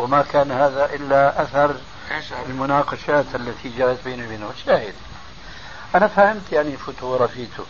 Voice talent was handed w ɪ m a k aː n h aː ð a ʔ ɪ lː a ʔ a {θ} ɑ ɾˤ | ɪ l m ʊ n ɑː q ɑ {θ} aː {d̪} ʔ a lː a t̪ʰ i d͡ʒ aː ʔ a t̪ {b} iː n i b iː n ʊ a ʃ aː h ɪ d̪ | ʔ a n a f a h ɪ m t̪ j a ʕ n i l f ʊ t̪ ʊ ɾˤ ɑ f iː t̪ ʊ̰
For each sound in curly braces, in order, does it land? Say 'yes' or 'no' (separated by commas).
yes, no, no, yes